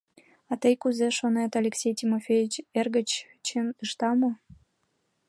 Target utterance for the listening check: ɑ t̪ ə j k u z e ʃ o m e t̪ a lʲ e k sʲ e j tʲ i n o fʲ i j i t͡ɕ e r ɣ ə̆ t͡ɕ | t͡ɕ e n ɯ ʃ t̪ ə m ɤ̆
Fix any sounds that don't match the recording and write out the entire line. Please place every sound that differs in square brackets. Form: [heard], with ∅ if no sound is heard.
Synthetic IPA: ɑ t̪ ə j k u z e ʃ o [n] e t̪ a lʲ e k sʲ e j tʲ i [m] o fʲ [e] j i t͡ɕ e r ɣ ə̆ t͡ɕ | t͡ɕ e n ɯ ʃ t̪ [ɑ] m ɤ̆